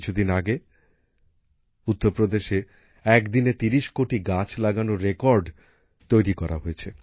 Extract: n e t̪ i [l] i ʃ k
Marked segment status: incorrect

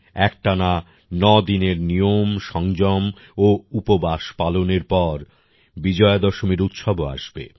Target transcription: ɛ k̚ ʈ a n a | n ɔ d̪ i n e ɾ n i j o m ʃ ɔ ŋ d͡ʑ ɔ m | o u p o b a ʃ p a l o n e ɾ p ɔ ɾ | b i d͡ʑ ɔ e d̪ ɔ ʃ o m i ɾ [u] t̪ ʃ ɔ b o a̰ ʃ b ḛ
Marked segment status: correct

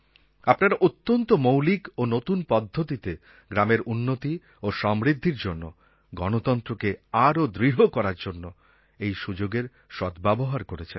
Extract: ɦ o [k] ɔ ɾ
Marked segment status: correct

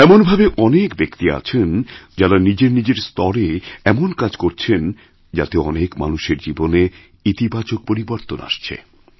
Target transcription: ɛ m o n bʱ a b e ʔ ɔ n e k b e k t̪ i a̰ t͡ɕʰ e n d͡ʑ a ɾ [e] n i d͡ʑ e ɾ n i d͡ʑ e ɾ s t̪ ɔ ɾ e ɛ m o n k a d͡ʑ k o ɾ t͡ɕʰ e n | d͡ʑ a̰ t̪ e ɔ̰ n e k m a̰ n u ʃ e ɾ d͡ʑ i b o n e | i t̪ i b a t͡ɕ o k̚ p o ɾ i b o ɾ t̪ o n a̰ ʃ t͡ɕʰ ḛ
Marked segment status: incorrect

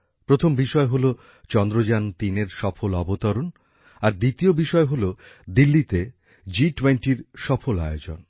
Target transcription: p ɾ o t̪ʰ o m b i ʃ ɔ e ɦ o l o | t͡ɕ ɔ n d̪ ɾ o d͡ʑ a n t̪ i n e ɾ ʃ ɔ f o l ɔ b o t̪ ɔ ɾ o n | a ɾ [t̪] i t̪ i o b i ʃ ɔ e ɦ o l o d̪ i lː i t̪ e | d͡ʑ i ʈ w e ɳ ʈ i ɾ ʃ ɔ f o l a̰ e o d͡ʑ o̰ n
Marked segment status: incorrect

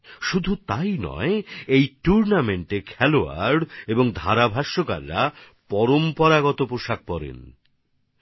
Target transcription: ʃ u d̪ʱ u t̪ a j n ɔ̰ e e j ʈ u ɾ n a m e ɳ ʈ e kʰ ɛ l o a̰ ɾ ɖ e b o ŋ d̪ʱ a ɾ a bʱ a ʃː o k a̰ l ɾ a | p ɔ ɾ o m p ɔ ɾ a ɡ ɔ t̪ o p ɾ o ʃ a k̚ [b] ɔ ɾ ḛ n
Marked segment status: incorrect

